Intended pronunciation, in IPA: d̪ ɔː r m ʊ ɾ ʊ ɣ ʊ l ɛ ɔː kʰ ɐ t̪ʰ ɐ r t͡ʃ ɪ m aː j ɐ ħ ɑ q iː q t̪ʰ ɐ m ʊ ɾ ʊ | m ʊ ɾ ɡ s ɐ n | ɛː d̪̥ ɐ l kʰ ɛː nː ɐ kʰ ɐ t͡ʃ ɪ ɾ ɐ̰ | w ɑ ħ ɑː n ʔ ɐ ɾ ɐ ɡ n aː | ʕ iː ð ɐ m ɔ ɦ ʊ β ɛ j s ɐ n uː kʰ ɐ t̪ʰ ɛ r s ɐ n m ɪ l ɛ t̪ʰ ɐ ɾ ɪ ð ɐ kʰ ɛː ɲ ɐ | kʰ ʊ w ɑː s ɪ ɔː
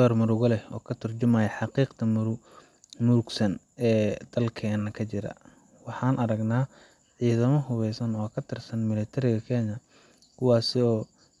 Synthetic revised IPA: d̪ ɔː r m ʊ ɾ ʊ ɣ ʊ l ɛ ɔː kʰ ɐ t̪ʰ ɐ r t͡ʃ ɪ m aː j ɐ ħ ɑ q iː q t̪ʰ ɐ m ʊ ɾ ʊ | m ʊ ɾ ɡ s ɐ n | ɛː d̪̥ ɐ l kʰ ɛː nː ɐ kʰ ɐ t͡ʃ ɪ ɾ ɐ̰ | w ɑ ħ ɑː n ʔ ɐ ɾ ɐ ɡ n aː | ʕ iː ð ɐ m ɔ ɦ ʊ β ɛ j s ɐ n ɔː kʰ ɐ t̪ʰ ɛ r s ɐ n m ɪ l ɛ t̪ʰ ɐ ɾ ɪ ɣ ɐ kʰ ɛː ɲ ɐ | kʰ ʊ w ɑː s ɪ ɔː